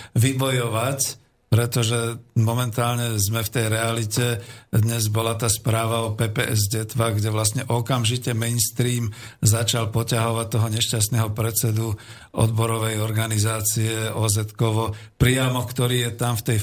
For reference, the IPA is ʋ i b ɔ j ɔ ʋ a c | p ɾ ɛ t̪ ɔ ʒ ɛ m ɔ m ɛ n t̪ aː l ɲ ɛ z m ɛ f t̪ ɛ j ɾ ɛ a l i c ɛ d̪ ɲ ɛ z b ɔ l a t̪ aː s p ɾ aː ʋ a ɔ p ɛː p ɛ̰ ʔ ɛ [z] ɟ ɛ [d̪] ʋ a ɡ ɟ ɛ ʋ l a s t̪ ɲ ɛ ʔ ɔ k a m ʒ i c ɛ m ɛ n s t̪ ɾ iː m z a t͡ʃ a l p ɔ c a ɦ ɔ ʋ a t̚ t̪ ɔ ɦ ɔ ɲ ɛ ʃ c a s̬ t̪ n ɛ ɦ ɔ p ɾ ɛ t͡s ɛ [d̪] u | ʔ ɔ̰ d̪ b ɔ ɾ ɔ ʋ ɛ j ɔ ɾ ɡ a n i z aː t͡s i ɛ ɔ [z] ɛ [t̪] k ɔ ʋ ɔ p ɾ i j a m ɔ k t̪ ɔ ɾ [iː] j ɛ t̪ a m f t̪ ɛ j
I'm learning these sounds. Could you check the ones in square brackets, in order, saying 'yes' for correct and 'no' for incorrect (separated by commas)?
yes, no, yes, yes, yes, yes